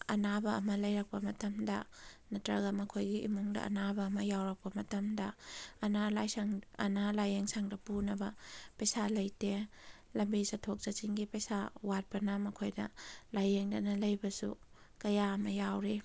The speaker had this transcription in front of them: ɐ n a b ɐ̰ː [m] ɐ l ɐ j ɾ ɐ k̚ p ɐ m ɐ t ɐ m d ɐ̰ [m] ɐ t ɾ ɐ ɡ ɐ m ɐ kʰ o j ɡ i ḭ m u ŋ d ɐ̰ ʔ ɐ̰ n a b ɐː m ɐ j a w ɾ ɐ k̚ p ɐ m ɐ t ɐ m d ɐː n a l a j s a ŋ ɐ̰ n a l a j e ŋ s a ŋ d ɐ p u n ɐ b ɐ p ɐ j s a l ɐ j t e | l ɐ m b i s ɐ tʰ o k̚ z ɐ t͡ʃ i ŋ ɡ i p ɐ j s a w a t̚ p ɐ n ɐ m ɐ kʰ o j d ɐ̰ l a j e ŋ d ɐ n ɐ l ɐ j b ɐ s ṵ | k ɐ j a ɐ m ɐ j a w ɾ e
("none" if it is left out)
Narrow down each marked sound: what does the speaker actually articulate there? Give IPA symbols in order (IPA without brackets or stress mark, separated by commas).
m, n